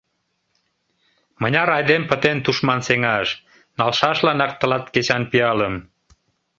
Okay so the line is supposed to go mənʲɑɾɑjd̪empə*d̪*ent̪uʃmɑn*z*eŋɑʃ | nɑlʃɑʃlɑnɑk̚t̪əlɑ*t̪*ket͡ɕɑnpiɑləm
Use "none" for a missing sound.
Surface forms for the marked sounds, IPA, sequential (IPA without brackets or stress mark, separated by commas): t̪, s, t̪